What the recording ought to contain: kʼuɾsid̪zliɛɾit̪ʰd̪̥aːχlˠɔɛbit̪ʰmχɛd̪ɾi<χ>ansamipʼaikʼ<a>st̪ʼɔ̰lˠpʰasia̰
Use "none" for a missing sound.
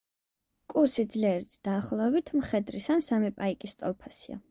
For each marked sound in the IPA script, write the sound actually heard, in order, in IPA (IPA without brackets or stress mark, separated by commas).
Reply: s, i